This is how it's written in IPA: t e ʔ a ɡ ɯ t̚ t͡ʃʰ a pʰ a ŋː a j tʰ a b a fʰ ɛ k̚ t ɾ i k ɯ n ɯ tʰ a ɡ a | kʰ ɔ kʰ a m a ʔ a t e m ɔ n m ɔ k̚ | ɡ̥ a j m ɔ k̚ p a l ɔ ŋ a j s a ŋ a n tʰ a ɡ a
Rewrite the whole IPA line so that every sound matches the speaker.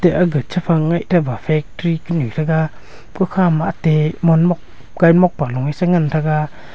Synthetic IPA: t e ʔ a ɡ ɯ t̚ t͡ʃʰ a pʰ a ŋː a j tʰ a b a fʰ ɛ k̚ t ɾ i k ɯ n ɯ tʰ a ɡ a | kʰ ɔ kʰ a m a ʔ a t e m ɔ n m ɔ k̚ | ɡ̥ a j m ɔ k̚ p a l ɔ ŋ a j s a ŋ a n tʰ a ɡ a